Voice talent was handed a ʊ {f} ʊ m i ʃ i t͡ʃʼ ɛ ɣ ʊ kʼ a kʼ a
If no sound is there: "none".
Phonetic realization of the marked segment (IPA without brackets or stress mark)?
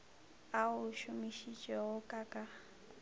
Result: ʃ